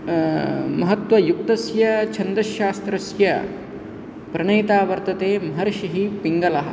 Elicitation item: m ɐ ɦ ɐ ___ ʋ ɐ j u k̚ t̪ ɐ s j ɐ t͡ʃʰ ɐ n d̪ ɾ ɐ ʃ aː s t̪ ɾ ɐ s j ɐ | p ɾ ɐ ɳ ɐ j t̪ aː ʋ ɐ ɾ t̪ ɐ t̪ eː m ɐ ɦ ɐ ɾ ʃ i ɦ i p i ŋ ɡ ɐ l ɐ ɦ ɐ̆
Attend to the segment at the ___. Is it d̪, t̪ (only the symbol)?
t̪